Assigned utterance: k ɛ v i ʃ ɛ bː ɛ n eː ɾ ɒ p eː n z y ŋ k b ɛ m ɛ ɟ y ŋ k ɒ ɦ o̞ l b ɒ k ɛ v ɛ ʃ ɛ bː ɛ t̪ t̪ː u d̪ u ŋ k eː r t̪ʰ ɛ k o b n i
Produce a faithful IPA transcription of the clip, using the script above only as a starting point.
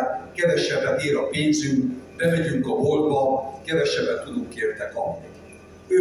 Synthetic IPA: k ɛ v ɛ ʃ ɛ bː ɛ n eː ɾ ɒ p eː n z y ŋ k b ɛ m ɛ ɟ y ŋ k ɒ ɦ o̞ l b ɒ k ɛ v ɛ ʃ ɛ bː ɛ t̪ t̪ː u d̪ u ŋ k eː r t̪ ɛ k ɒ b n i